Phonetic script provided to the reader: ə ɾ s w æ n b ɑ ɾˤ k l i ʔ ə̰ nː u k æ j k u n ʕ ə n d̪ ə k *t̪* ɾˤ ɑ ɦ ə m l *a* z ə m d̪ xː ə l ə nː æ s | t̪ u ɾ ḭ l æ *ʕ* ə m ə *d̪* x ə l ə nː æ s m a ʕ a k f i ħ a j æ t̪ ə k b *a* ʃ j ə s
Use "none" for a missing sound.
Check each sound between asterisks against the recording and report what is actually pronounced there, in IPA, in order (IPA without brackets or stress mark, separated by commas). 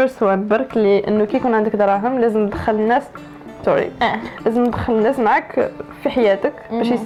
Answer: d̪, æ, z, d̪, æ